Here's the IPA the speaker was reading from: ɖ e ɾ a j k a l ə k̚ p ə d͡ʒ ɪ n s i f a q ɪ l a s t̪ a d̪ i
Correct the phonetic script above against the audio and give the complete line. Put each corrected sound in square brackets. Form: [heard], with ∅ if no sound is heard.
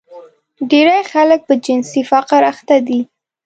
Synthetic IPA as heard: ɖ e ɾ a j [x] a l ə k̚ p ə d͡ʒ ɪ n s i f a q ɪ [ɾ] a [x] t̪ a d̪ i